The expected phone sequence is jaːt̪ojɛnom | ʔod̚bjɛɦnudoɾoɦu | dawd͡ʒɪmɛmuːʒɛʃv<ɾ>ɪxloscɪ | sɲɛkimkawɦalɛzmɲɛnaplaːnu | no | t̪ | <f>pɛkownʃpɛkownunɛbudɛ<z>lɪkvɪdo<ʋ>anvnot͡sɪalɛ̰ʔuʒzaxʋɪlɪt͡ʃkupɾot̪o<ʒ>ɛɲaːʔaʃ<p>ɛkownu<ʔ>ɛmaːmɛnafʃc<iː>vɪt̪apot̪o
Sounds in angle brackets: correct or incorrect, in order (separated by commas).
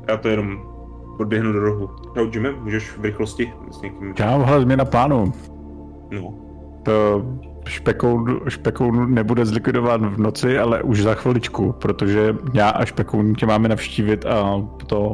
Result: correct, incorrect, correct, incorrect, correct, correct, incorrect, correct